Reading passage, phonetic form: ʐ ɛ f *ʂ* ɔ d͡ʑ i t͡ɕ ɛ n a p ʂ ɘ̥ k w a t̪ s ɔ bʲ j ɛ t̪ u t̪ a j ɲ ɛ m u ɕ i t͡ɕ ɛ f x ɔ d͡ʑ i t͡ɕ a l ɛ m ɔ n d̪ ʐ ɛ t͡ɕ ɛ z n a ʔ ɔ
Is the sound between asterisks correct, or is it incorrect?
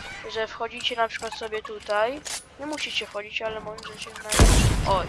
incorrect